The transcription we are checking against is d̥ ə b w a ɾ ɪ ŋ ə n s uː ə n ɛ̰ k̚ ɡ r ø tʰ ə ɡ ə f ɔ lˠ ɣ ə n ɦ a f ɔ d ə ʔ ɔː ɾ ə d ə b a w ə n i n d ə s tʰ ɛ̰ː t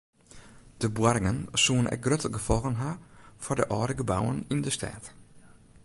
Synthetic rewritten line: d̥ ə b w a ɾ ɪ ŋ ə n s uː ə n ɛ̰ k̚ ɡ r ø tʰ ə ɡ ə f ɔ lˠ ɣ ə n ɦ a f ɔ d ə ʔ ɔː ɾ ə ɡ ə b a w ə n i n d ə s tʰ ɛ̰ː t